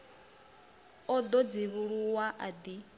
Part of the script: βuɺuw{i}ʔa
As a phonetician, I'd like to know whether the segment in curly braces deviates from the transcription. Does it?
yes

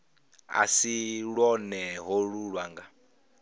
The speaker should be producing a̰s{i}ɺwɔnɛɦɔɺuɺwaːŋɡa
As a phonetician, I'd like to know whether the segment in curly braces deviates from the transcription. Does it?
no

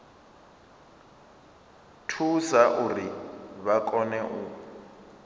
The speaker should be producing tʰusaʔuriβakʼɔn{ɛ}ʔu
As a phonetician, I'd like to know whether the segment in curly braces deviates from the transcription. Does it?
no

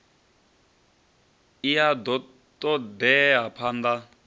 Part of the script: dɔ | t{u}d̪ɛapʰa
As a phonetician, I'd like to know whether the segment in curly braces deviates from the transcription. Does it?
yes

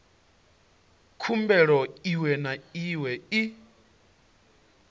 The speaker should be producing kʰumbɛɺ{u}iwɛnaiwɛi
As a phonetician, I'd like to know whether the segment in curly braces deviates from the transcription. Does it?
yes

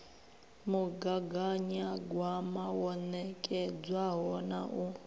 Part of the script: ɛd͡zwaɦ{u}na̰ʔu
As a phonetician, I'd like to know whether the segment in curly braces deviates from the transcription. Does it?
yes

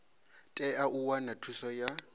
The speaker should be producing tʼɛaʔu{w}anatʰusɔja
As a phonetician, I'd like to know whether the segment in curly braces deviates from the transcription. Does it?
no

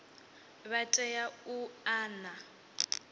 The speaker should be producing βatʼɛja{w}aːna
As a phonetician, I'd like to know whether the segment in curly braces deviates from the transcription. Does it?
yes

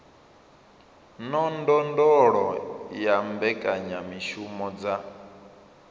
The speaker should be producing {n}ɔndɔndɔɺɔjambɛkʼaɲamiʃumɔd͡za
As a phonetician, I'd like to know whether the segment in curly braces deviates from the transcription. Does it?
no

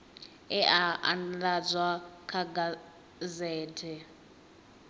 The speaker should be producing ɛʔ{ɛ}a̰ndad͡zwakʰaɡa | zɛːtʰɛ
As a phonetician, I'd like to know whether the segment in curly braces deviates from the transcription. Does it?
yes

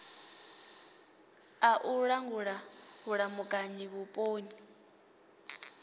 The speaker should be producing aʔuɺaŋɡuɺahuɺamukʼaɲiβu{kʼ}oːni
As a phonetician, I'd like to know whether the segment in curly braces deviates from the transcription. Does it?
yes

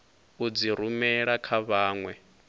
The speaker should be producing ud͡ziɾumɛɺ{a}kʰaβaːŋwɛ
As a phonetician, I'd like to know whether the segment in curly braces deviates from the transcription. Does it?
no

